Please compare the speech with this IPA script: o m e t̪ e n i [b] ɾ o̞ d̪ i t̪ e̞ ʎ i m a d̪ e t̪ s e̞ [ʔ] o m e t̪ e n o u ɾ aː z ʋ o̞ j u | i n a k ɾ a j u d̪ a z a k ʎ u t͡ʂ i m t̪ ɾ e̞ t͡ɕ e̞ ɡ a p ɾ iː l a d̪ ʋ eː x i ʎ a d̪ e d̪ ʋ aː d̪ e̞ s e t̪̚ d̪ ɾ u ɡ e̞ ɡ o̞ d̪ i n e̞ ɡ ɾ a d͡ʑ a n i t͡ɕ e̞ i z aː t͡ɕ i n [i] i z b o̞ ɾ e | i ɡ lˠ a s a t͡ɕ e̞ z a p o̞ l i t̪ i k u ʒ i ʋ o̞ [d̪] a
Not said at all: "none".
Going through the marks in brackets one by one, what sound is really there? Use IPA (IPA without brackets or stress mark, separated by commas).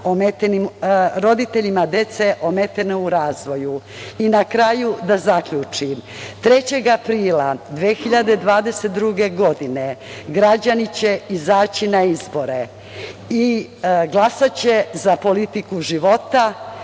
m, ʔ, a, t̪